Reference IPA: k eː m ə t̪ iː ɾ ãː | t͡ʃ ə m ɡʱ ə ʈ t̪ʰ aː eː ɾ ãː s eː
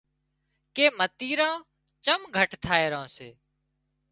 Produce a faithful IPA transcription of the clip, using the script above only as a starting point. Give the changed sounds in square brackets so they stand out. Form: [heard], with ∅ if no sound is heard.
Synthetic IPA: k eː m ə t̪ iː ɾ ãː | t͡ʃ ə m ɡʱ ə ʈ t̪ʰ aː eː ɾ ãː s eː